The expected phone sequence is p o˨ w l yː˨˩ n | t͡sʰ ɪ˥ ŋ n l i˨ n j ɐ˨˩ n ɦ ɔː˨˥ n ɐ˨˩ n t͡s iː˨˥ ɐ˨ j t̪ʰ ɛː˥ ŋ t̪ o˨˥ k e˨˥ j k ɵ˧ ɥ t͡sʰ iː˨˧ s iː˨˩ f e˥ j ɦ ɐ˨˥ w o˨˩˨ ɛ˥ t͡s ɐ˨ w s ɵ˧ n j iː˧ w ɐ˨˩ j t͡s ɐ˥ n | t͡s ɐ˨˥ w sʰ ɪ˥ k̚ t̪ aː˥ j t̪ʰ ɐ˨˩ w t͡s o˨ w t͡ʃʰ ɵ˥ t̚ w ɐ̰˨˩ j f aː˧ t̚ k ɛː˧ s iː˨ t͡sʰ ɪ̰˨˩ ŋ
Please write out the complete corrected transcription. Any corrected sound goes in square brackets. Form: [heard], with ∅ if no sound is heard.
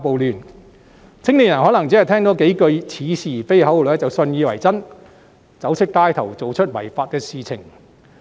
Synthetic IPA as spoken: p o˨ w l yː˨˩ n | t͡sʰ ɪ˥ ŋ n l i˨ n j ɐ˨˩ n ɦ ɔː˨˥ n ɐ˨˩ [ŋ] t͡s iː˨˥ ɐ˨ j t̪ʰ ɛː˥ ŋ t̪ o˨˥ k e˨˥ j k ɵ˧ ɥ t͡sʰ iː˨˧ s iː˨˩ f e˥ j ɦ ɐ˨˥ w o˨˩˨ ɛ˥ t͡s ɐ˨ w s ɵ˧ n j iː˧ w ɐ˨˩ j t͡s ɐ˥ n | t͡s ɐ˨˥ w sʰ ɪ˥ k̚ t̪ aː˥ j t̪ʰ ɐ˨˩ w t͡s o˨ w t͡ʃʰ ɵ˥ t̚ w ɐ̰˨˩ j f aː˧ t̚ k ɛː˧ s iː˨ t͡sʰ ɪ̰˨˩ ŋ